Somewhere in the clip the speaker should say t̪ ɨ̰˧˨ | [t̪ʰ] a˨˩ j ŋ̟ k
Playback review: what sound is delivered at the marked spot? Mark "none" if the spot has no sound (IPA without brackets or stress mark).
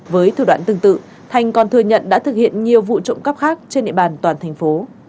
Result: t̪ʰ